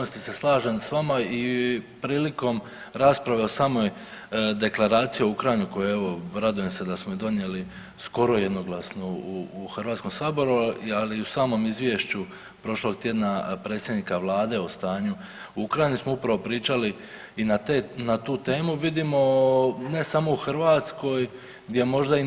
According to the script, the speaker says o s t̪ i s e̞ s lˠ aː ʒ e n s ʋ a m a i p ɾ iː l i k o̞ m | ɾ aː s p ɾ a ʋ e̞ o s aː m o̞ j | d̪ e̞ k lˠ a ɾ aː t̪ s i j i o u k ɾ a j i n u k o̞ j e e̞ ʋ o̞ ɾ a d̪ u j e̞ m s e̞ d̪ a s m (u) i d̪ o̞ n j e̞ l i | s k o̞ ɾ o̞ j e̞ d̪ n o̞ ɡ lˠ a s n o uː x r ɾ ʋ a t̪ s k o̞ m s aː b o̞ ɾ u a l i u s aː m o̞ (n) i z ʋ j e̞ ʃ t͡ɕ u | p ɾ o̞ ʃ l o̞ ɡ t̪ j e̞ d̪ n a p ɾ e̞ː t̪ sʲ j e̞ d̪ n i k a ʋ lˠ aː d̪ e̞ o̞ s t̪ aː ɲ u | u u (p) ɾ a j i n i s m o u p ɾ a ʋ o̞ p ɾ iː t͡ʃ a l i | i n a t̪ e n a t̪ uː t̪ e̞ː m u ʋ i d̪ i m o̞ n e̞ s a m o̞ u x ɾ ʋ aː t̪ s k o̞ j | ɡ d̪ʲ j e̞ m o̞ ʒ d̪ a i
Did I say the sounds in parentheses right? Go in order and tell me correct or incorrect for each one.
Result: incorrect: o, incorrect: m, incorrect: k

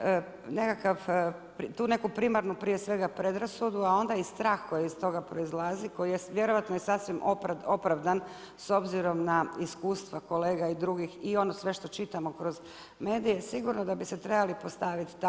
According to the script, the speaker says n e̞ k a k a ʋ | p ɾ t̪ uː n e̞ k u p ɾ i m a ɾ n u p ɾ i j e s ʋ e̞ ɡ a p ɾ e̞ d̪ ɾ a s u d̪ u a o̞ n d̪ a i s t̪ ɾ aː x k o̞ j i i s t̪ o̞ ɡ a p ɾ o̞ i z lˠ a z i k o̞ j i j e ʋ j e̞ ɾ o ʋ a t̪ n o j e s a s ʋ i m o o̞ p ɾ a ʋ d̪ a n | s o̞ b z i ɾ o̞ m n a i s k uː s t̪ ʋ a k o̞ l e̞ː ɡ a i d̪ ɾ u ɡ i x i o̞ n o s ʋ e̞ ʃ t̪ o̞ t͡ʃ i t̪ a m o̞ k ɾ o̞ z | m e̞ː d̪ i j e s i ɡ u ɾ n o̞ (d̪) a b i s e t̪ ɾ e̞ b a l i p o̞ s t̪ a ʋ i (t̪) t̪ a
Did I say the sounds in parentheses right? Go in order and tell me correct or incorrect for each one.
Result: correct, correct

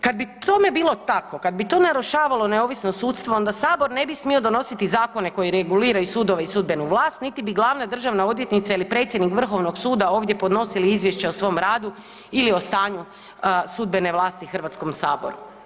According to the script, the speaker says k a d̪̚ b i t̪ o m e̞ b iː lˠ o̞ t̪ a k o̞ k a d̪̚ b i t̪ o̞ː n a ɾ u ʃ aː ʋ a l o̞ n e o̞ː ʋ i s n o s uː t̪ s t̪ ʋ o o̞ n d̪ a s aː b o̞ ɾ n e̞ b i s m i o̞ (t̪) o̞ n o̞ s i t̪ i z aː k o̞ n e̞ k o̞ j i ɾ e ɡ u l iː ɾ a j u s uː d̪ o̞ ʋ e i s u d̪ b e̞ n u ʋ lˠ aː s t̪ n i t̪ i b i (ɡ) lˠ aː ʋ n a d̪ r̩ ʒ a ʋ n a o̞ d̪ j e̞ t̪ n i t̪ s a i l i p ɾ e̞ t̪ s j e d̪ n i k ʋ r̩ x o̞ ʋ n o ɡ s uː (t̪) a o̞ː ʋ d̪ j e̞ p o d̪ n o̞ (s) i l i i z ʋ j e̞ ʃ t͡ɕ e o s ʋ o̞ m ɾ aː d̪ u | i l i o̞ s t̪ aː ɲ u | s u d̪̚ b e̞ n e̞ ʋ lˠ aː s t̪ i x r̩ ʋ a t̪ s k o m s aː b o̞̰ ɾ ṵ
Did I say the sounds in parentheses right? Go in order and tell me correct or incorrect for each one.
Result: incorrect: d̪, correct, incorrect: d̪, correct

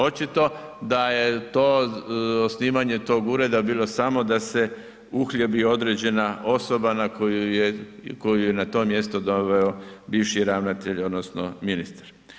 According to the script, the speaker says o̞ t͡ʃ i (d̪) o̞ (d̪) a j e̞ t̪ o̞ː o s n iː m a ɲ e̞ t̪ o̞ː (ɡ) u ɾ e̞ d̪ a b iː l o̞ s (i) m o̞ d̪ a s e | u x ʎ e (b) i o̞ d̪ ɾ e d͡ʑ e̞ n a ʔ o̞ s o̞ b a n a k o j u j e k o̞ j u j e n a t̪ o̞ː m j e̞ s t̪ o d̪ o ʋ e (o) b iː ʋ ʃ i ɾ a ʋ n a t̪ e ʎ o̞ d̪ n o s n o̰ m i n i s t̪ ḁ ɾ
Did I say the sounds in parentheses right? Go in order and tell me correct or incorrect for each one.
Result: incorrect: t̪, correct, correct, incorrect: a, correct, correct

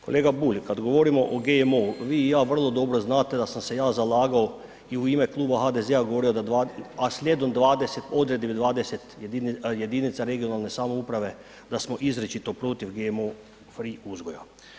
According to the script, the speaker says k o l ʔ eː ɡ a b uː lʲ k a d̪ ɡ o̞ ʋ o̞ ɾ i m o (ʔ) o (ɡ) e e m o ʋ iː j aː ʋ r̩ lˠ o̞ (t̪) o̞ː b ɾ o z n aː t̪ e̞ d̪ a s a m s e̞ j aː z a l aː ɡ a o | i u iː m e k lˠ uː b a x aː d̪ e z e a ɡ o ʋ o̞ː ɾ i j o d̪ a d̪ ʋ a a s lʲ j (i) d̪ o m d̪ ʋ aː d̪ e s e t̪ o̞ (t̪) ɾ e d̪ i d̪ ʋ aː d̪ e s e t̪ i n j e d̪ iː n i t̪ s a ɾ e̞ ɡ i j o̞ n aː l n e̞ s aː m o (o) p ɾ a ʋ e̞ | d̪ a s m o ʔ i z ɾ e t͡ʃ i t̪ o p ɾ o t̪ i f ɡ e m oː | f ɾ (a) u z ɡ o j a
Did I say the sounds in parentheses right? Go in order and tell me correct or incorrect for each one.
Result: correct, correct, incorrect: d̪, incorrect: e, incorrect: d̪, incorrect: u, incorrect: i

